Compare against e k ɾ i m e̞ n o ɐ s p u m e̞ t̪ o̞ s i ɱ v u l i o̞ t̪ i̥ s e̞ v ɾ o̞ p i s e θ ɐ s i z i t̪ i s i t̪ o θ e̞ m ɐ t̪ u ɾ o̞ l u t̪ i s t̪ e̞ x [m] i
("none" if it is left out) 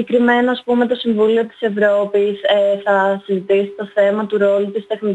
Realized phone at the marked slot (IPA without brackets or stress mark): n